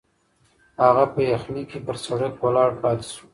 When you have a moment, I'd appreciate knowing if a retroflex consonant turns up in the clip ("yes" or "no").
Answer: yes